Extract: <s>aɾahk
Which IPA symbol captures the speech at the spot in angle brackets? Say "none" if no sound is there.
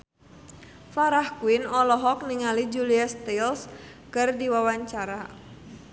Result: f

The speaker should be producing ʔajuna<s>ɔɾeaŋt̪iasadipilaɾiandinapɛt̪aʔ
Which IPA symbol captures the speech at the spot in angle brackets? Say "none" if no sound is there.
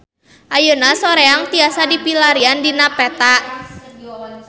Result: s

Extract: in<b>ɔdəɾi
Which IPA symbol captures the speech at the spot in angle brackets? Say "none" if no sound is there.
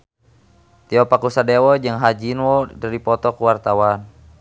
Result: w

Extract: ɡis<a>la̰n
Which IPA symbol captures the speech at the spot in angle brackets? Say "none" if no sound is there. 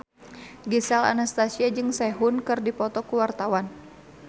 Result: a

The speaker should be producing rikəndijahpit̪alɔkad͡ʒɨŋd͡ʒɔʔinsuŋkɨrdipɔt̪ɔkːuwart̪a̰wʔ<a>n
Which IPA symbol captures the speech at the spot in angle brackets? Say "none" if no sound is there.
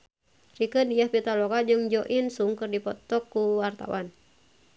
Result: a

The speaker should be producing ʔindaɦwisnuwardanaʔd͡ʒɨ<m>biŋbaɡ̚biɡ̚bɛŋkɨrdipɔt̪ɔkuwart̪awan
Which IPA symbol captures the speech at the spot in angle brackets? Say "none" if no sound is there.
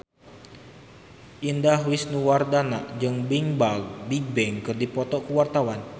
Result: ŋ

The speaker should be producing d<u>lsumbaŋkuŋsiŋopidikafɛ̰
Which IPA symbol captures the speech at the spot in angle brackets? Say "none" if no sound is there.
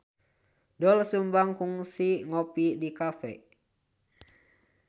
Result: ɔ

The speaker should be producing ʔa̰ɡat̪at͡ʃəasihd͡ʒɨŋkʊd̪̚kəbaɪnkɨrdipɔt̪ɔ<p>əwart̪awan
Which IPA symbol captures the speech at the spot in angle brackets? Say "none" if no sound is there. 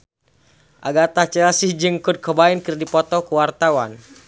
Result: k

